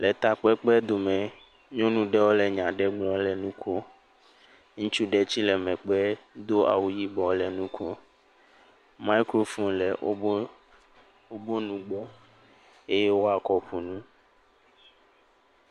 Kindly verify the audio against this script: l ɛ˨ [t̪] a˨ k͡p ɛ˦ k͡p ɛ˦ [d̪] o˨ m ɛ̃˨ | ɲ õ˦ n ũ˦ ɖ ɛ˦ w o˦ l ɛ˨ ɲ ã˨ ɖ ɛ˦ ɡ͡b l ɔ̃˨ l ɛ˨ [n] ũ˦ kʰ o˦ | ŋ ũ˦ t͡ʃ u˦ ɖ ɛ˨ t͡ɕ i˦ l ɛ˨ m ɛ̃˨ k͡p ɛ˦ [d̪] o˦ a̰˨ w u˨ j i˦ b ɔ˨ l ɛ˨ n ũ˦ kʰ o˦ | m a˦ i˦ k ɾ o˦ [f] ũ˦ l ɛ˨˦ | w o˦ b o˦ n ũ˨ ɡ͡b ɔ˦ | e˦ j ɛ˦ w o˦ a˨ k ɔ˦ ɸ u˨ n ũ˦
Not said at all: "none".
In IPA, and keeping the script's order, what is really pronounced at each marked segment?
t̪, d̪, n, d̪, f

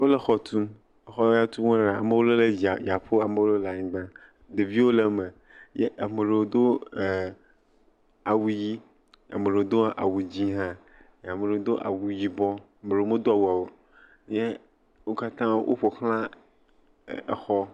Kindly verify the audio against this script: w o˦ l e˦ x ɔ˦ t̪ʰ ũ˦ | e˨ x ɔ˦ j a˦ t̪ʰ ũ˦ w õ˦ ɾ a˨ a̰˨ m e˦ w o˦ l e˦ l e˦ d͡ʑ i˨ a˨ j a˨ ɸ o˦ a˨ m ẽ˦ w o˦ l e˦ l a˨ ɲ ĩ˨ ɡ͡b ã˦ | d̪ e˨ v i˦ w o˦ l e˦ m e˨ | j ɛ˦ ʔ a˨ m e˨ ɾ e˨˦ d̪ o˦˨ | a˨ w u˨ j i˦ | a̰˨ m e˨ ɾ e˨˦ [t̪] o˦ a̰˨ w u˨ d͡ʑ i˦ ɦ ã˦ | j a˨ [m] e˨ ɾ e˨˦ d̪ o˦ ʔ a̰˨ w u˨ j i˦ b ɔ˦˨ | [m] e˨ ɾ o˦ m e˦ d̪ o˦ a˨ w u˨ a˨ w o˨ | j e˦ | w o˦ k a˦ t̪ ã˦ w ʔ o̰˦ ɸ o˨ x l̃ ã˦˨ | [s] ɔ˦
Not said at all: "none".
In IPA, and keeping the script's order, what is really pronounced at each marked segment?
d̪, m, m, x

